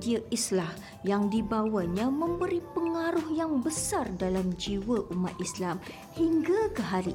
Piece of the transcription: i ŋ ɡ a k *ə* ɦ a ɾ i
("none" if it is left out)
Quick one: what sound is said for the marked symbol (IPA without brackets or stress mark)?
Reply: ə